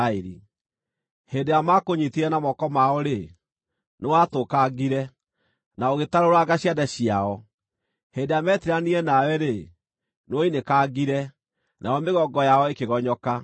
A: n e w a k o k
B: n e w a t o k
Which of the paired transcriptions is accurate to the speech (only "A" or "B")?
B